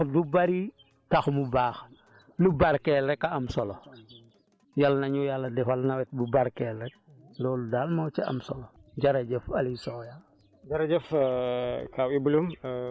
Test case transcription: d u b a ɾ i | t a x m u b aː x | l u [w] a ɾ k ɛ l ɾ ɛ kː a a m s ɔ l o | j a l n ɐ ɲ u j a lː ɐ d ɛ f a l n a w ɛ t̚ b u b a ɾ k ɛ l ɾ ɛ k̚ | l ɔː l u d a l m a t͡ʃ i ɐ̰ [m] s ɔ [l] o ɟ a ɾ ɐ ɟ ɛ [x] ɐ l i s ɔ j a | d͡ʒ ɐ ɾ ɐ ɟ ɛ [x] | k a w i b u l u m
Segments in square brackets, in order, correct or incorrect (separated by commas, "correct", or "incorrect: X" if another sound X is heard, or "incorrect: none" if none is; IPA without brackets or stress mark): incorrect: b, correct, correct, incorrect: f, incorrect: f